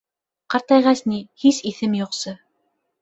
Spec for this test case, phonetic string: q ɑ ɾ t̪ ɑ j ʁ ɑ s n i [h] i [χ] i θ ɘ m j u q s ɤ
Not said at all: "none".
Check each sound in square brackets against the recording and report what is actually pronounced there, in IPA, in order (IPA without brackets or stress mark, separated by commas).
h, s